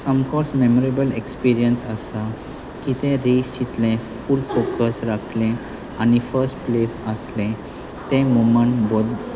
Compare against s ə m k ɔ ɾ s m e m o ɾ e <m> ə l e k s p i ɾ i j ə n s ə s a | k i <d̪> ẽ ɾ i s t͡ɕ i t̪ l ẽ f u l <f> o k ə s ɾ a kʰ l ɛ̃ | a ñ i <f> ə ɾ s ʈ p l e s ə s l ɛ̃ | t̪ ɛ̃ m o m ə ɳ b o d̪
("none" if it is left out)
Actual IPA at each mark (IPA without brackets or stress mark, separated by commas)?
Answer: b, t̪, f, f